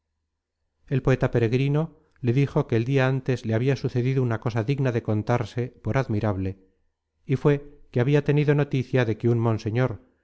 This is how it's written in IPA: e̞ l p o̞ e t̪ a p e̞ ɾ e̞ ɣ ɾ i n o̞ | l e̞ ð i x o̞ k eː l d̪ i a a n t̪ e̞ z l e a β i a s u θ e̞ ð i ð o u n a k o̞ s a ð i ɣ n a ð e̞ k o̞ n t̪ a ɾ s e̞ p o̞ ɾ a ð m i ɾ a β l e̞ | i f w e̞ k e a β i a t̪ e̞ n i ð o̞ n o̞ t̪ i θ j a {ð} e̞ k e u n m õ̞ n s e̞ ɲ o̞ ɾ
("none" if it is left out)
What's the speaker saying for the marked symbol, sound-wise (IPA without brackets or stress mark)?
ð